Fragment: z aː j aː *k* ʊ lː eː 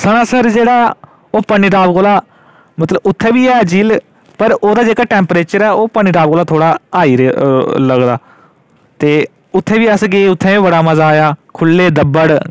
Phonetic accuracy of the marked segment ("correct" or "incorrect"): incorrect